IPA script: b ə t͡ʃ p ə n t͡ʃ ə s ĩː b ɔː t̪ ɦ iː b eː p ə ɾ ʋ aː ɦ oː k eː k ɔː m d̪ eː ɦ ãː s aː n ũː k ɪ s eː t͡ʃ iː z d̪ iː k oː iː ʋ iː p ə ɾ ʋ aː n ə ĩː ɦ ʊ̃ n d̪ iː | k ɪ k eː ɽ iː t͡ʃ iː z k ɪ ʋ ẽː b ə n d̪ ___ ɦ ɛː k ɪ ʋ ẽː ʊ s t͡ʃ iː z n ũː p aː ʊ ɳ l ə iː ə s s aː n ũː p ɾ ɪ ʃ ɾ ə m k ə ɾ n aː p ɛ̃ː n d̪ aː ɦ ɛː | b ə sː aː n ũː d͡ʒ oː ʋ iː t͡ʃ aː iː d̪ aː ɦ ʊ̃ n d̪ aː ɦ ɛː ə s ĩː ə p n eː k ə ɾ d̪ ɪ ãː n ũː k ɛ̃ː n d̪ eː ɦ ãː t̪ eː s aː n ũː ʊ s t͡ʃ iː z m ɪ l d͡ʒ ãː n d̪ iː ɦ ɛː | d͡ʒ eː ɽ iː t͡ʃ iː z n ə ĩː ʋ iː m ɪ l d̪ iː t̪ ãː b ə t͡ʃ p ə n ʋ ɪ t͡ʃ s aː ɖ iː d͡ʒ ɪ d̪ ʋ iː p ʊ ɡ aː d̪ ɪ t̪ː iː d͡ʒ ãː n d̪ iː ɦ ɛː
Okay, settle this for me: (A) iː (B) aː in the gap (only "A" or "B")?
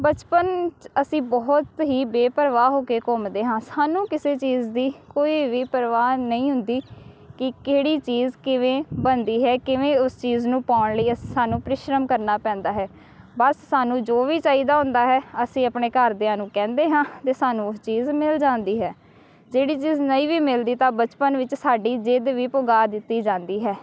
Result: A